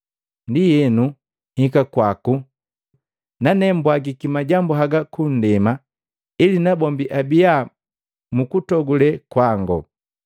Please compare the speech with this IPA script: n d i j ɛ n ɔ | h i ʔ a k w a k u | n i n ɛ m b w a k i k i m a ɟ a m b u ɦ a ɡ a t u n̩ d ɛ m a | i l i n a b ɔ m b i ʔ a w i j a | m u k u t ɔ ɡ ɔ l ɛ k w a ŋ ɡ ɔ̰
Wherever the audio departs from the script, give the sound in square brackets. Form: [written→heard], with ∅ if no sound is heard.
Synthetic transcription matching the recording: n d i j ɛ n [ɔ→u] | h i [ʔ→k] a k w a k u | n [i→a] n ɛ m b w a [k→ɡ] i k i m a ɟ a m b u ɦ a ɡ a [t→k] u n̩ d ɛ m a | i l i n a b ɔ m b i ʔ a [w→b] i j a | m u k u t ɔ ɡ [ɔ→u] l ɛ k w a ŋ ɡ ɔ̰